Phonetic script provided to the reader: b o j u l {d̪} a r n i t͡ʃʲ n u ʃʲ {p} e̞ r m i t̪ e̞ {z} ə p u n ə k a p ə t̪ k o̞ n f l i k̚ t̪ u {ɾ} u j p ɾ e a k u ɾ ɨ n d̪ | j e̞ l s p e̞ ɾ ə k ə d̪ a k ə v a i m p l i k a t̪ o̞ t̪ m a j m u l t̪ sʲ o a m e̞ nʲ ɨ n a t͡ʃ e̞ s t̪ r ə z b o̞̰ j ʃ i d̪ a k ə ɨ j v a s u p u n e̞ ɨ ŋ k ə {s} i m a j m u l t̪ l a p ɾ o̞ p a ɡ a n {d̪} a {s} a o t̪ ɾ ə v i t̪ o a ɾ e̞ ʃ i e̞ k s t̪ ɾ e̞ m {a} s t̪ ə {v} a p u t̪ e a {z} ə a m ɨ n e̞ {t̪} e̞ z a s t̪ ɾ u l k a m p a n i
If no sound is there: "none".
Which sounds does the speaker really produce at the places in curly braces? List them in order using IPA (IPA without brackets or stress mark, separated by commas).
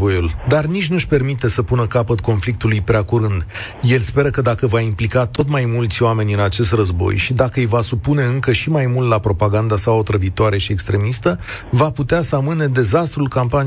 d̪, p, s, l, ʃ, d̪, s, i, v, s, d̪